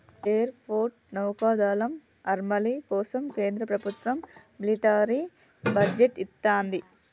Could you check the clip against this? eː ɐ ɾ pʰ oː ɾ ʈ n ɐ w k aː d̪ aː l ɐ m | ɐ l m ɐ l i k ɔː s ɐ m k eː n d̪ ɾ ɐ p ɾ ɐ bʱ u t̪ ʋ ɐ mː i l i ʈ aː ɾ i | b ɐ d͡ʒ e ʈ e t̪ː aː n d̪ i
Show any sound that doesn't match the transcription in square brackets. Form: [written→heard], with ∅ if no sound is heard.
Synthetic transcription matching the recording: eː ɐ ɾ pʰ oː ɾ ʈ n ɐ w k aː d̪ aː l ɐ m | ɐ [l→ɾ] m ɐ l i k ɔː s ɐ m k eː n d̪ ɾ ɐ p ɾ ɐ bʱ u t̪ ʋ ɐ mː i l i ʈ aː ɾ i | b ɐ d͡ʒ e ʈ [e→i] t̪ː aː n d̪ i